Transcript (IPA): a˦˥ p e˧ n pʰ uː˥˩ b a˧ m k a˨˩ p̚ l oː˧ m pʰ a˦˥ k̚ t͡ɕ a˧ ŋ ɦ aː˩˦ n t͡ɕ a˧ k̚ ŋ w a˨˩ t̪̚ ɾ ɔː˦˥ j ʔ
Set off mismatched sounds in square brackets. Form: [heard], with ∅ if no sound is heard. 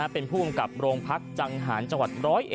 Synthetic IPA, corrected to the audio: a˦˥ p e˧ n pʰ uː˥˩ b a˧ m k a˨˩ p̚ [ɾ] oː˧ [ŋ] pʰ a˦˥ k̚ t͡ɕ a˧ ŋ ɦ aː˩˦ n t͡ɕ a˧ [∅] ŋ w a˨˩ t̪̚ ɾ ɔː˦˥ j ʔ